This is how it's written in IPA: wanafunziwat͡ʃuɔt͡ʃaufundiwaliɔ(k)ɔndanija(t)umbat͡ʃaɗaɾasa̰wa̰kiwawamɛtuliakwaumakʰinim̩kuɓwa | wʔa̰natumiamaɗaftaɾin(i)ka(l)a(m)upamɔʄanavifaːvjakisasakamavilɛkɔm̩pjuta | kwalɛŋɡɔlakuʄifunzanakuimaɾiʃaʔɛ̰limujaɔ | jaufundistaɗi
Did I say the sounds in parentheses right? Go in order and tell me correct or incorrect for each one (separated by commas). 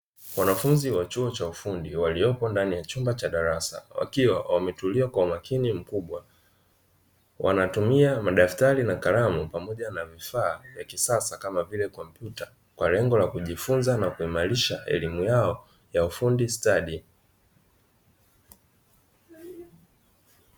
incorrect, incorrect, incorrect, incorrect, correct